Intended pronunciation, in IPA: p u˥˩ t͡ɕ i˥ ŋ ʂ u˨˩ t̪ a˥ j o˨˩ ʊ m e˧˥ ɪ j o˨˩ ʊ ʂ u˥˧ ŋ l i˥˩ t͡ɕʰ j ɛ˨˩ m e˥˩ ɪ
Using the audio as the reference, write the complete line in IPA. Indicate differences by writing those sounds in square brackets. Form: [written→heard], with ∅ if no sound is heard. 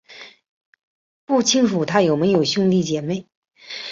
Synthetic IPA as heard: p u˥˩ [t͡ɕ→t͡ɕʰ] i˥ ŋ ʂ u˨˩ [t̪→t̪ʰ] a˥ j o˨˩ ʊ m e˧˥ ɪ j o˨˩ ʊ [ʂ→ɕ] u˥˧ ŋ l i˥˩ [t͡ɕʰ→t͡ɕ] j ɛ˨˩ m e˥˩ ɪ